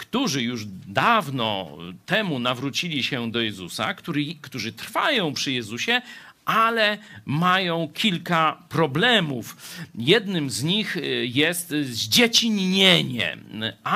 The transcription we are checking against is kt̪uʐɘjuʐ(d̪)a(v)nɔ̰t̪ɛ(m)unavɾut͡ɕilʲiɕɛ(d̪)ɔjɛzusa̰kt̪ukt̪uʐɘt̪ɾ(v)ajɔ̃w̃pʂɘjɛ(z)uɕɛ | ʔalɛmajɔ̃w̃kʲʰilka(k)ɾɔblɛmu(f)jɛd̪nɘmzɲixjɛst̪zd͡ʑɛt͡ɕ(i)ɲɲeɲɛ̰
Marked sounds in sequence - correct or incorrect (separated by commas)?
correct, correct, correct, correct, incorrect, correct, incorrect, correct, correct